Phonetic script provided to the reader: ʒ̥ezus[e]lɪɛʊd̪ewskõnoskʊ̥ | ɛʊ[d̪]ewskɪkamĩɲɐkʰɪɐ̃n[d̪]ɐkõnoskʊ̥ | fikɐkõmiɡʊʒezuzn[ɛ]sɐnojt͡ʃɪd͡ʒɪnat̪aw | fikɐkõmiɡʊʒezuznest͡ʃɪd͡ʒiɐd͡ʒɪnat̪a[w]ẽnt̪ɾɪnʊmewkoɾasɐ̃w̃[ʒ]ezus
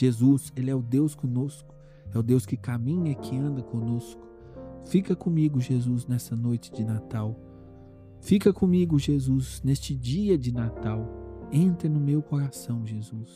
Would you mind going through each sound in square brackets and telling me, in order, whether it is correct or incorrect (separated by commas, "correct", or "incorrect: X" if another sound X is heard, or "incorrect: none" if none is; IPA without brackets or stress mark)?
correct, correct, correct, correct, correct, correct